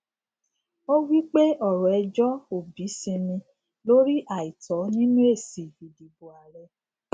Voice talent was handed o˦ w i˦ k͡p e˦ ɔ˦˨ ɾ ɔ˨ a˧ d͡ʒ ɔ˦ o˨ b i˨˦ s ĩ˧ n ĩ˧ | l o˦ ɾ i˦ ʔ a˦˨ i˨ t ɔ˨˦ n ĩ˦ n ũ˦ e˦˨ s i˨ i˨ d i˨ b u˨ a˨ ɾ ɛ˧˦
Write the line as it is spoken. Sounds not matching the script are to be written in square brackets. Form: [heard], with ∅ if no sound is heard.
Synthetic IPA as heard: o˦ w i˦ k͡p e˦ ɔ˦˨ ɾ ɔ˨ [ɛ˧] d͡ʒ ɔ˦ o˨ b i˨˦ s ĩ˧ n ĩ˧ | l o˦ ɾ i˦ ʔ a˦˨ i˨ t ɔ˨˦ n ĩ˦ n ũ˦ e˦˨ s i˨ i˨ d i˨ b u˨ a˨ ɾ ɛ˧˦